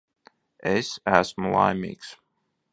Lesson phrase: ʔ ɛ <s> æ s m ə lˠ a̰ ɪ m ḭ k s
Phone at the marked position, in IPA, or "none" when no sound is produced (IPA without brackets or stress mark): s